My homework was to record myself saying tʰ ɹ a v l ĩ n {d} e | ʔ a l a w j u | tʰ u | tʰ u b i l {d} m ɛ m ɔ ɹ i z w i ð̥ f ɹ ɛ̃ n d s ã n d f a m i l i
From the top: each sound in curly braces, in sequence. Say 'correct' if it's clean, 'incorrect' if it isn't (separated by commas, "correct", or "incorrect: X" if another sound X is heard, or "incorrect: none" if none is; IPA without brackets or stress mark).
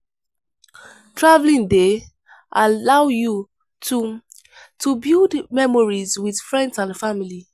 correct, correct